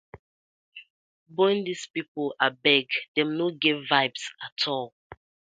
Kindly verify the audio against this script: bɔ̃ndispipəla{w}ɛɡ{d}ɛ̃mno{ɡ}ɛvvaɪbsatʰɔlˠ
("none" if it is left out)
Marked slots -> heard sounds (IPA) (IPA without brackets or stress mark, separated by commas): b, d, ɡ